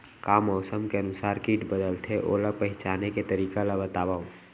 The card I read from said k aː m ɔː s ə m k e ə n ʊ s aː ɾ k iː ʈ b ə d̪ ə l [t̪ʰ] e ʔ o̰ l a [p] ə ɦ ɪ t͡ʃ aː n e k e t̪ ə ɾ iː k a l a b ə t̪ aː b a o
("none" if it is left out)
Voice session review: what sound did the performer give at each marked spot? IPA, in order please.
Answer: t̪ʰ, p

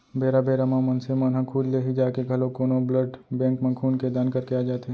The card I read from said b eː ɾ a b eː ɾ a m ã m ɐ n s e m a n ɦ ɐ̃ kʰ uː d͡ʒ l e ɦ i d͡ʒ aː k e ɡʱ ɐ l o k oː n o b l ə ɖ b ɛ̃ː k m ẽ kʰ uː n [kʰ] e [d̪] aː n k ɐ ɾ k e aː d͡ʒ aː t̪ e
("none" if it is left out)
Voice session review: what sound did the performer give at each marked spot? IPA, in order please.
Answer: k, d̪

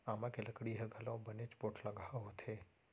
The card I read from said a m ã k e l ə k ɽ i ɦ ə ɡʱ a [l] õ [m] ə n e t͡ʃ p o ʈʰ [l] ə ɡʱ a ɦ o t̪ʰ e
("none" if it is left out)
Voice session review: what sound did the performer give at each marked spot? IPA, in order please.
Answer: l, b, l

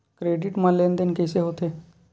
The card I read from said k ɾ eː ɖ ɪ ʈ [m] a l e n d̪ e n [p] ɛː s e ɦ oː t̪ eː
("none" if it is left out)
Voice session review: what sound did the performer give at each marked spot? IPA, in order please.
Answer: m, k

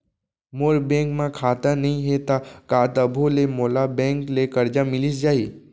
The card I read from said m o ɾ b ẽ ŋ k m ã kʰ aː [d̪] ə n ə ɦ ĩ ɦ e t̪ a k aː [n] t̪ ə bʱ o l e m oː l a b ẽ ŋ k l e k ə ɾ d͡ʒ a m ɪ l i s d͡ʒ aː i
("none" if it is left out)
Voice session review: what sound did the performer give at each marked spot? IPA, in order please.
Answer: t̪, none

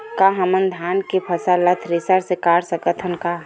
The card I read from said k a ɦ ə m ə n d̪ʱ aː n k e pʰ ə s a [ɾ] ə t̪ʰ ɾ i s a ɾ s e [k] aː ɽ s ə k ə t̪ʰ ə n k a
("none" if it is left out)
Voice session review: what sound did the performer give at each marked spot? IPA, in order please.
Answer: l, k

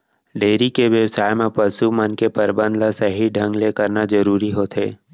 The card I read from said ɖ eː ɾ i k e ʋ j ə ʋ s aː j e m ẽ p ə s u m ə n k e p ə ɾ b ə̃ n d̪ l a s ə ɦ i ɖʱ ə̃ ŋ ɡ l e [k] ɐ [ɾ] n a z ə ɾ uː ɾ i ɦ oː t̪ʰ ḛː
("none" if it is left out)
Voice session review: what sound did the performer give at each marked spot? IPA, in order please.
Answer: k, ɾ

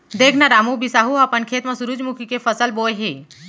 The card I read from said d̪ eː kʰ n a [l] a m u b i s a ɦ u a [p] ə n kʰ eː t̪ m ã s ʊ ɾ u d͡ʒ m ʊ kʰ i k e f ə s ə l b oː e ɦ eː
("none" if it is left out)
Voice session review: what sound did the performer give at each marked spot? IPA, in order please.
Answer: ɾ, p

